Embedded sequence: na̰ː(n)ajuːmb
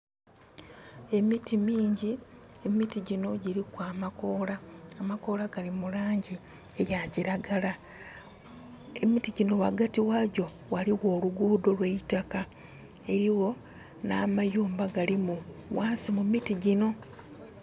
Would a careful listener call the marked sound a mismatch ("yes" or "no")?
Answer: yes